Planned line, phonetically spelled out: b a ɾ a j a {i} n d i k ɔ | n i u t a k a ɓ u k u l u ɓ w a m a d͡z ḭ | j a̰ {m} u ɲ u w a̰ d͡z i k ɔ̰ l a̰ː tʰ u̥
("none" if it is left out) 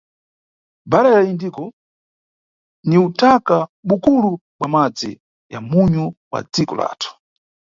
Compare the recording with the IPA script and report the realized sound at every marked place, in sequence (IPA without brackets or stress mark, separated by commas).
i, m